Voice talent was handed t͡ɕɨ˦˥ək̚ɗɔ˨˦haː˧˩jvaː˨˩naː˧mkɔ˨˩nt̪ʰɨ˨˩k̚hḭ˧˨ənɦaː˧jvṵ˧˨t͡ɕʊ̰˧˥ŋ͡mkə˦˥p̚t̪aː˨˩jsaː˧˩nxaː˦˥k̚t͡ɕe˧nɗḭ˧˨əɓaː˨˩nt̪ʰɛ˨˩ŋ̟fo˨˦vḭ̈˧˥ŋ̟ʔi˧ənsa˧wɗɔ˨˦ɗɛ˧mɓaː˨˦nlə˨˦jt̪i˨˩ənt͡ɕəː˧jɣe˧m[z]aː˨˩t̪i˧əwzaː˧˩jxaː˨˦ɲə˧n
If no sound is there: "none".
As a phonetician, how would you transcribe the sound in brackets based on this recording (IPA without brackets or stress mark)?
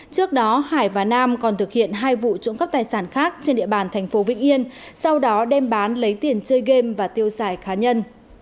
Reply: v